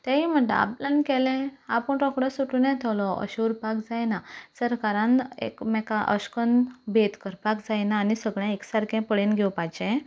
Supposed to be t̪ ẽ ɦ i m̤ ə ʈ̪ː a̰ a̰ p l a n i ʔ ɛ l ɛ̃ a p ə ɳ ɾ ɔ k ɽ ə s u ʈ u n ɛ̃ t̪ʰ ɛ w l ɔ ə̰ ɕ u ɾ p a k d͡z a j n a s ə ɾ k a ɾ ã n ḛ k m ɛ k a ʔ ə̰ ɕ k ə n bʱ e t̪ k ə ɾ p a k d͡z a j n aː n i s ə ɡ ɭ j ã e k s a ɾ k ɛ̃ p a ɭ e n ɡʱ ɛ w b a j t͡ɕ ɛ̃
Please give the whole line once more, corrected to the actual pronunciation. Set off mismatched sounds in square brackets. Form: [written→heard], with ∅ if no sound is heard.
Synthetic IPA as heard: t̪ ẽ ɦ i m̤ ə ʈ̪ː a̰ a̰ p l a n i [ʔ→k] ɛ l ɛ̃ a p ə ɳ ɾ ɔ k ɽ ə s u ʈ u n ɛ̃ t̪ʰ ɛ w l ɔ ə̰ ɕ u ɾ p a k d͡z a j n a s ə ɾ k a ɾ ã n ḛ k m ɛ k a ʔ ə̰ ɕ k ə n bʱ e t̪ k ə ɾ p a k d͡z a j n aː n i s ə ɡ ɭ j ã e k s a ɾ k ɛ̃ p [a→ə] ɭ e n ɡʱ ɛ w [b→p] a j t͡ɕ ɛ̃